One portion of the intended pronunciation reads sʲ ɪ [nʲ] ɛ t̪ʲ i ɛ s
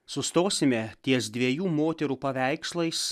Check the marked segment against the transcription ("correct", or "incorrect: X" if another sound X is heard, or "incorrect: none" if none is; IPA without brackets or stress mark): incorrect: mʲ